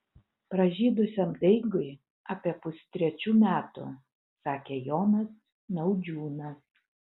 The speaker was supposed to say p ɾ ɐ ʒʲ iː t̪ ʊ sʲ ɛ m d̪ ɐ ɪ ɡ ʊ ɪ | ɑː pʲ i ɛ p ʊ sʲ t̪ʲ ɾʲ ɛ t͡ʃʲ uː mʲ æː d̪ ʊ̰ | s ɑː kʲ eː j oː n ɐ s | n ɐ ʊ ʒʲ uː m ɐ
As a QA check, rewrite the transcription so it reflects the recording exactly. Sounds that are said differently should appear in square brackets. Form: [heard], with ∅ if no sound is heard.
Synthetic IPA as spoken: p ɾ ɐ ʒʲ iː [d̪] ʊ sʲ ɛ m d̪ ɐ ɪ ɡ ʊ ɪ | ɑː pʲ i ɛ p ʊ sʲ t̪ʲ ɾʲ ɛ t͡ʃʲ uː mʲ æː [t̪] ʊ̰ | s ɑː kʲ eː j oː n ɐ s | n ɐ ʊ [d͡ʒʲ] uː [n] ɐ